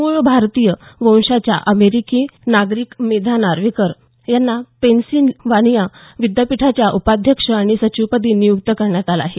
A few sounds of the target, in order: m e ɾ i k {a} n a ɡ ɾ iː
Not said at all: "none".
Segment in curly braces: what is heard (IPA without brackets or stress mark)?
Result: i